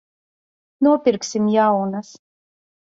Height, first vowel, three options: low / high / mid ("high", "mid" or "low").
high